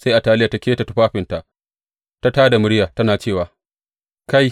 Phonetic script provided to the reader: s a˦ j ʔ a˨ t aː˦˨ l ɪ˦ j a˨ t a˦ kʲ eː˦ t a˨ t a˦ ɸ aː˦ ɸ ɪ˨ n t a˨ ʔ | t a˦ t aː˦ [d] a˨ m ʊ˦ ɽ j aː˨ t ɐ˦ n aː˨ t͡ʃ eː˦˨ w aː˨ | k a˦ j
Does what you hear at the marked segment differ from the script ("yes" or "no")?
no